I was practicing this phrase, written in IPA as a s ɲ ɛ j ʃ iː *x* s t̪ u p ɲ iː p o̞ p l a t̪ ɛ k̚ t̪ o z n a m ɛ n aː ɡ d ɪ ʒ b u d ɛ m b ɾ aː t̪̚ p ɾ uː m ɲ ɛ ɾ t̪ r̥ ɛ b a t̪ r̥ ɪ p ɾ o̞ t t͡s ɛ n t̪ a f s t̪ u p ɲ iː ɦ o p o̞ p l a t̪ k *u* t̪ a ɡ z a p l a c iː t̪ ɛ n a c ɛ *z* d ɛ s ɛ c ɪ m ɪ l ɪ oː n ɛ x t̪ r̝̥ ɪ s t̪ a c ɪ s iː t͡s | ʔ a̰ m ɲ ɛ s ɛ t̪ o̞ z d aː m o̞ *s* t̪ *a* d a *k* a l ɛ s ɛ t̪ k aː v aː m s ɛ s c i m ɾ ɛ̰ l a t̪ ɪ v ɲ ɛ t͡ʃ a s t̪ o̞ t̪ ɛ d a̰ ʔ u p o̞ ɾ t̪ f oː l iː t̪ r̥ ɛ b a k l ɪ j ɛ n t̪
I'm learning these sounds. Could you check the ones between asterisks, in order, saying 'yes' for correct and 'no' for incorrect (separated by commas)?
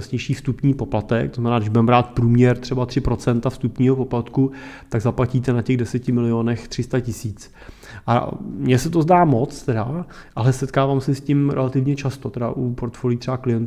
no, yes, no, no, no, no